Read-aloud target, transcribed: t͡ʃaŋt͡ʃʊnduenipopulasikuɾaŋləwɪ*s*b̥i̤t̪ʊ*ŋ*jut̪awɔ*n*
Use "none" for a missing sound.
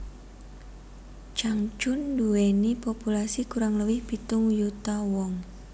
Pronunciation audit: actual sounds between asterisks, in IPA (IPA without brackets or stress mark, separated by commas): h, ŋ, ŋ